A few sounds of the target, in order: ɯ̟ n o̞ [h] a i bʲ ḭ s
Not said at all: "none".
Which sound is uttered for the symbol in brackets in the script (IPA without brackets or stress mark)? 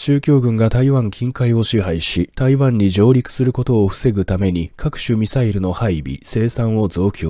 h